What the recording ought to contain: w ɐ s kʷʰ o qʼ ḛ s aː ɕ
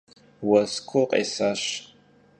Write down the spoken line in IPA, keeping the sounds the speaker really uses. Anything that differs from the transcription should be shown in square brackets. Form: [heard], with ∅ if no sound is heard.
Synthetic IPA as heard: w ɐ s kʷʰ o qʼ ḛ s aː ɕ